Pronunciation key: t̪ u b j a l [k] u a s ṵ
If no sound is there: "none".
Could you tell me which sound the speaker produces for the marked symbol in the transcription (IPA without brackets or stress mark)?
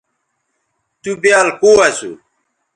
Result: k